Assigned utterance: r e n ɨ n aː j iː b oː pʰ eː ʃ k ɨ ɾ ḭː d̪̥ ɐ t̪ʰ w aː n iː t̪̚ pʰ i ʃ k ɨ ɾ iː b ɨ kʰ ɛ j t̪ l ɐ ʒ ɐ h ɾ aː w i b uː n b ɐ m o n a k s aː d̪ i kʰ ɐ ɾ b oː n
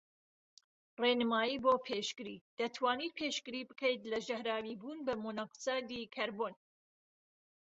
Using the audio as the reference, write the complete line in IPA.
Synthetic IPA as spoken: r e n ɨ m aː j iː b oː pʰ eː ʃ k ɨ ɾ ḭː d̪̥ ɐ t̪ʰ w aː n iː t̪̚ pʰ e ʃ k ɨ ɾ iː b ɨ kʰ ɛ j t̪ l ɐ ʒ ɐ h ɾ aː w i b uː n b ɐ m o n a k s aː d̪ i kʰ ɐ ɾ b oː n